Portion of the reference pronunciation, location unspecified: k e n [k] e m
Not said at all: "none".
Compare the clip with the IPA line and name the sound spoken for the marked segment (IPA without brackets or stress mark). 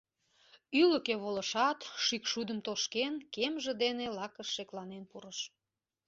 k